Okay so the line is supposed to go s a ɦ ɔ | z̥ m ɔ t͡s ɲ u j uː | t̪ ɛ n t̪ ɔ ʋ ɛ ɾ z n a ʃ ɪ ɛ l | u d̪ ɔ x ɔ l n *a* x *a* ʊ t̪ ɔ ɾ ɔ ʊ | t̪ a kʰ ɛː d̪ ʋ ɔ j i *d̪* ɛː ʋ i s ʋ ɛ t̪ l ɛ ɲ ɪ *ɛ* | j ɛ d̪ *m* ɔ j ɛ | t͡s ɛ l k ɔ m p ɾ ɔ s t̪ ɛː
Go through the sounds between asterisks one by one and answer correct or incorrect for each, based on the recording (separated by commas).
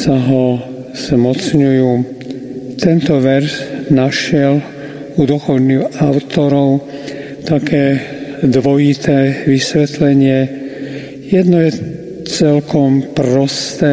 incorrect, correct, incorrect, correct, incorrect